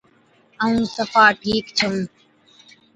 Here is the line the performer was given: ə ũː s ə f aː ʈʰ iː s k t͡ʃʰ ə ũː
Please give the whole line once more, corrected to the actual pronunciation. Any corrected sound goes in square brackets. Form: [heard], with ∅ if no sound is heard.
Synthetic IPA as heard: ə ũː s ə f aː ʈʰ iː [∅] k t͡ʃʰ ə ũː